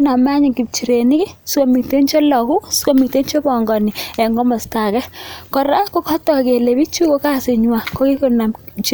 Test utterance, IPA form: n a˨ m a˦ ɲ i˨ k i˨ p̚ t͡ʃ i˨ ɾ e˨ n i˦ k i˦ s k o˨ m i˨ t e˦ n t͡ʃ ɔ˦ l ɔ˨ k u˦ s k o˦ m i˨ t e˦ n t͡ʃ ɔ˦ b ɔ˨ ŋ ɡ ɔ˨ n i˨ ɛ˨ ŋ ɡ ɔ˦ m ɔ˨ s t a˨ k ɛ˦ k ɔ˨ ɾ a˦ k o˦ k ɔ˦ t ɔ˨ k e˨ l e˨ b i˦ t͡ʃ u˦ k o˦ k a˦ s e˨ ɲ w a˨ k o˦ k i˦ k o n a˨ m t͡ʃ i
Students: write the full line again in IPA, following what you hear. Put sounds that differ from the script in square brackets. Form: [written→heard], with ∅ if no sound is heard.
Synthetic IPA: n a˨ m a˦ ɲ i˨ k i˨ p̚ t͡ʃ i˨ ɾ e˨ n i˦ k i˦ s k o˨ m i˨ t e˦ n t͡ʃ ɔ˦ l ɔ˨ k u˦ s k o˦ m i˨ t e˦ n t͡ʃ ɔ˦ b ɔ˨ ŋ ɡ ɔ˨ n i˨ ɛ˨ ŋ ɡ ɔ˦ m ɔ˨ s t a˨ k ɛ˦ k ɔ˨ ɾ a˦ k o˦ k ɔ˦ t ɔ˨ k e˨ l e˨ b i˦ t͡ʃ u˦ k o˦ k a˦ s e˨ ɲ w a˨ k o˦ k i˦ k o n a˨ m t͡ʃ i